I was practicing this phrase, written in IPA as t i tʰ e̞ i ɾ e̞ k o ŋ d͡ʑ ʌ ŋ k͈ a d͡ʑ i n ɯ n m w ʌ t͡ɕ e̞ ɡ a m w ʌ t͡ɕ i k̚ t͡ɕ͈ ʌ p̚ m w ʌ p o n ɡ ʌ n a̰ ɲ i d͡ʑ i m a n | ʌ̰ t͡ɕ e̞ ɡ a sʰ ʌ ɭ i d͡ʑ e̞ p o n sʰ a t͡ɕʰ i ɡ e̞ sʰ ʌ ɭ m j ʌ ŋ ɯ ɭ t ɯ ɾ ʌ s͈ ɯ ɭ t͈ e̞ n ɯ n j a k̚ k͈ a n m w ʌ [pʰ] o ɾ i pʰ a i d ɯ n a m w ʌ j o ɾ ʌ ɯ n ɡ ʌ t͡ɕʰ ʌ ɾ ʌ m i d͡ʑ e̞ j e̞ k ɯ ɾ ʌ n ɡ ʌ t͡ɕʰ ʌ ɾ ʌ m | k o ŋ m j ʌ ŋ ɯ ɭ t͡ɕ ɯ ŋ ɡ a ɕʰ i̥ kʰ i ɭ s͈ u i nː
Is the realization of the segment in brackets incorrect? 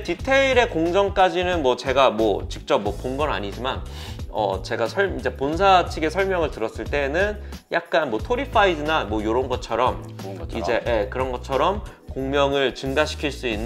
yes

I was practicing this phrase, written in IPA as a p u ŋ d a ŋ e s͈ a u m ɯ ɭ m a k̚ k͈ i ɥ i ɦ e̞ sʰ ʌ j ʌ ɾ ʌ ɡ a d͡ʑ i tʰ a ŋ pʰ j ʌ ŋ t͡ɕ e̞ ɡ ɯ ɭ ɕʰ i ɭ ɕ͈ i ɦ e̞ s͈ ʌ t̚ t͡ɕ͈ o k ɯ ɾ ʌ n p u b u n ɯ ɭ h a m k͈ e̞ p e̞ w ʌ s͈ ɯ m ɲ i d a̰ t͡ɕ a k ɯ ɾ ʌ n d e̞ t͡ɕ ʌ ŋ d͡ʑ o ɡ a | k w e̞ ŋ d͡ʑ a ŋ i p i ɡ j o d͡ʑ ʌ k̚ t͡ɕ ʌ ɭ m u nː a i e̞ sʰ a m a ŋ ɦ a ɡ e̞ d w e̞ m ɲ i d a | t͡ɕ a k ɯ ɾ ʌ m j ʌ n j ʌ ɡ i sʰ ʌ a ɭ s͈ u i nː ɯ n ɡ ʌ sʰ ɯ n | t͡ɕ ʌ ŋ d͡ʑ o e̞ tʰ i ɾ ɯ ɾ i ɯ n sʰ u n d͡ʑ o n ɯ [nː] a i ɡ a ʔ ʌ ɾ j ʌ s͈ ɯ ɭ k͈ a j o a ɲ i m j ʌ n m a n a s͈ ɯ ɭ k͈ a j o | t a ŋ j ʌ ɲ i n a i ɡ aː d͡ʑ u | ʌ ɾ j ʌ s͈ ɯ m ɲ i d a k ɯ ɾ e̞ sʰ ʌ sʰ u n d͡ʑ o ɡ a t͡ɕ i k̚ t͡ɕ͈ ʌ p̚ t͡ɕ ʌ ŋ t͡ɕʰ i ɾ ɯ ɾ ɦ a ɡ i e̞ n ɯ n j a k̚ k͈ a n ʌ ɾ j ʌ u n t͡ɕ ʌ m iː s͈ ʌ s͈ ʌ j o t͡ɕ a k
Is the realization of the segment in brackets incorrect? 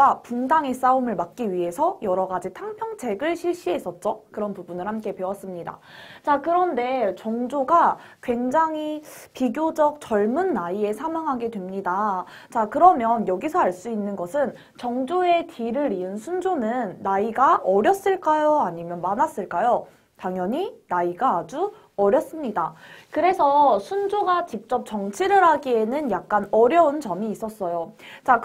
no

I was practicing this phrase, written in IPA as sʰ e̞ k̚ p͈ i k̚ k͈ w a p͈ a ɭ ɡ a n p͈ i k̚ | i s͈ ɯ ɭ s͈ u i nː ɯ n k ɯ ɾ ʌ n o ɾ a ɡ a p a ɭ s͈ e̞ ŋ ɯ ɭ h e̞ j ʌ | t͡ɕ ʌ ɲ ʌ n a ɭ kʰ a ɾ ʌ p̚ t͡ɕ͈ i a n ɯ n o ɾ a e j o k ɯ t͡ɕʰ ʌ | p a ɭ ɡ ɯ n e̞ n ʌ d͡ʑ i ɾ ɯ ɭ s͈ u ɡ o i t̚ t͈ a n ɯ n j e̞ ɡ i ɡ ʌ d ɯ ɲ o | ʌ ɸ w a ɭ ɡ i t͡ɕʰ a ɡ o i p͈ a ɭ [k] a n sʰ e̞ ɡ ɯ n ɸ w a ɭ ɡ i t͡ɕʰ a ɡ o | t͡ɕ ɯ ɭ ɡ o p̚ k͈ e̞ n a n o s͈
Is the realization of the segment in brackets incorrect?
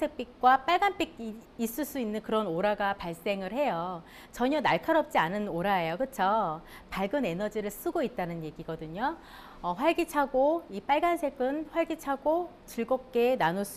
yes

